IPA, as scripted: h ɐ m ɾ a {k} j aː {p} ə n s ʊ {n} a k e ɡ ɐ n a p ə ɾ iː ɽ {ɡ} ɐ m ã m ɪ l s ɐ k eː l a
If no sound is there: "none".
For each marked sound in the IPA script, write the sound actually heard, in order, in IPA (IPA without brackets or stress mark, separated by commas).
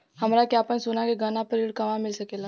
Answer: k, p, n, k